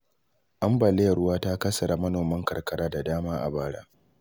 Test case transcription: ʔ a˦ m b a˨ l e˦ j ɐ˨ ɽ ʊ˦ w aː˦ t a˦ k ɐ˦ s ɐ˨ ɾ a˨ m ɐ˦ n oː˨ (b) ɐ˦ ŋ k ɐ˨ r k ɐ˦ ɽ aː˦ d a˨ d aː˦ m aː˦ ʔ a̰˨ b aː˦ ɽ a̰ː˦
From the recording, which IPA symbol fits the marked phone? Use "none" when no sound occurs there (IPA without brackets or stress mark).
m